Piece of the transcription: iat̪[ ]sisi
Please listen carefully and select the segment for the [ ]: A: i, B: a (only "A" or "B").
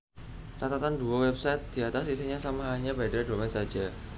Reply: B